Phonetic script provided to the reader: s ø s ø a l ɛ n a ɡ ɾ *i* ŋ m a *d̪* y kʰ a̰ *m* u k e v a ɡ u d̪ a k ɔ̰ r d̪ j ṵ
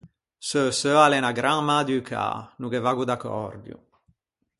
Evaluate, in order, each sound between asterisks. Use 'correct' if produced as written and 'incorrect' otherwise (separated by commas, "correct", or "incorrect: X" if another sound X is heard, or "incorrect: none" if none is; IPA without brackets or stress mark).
incorrect: a, correct, incorrect: n